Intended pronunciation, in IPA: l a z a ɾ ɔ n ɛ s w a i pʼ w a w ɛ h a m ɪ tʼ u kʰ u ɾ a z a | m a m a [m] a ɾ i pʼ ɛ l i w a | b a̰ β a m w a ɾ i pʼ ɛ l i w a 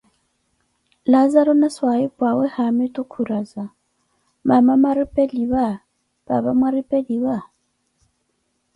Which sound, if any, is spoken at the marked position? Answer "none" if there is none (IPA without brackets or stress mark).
m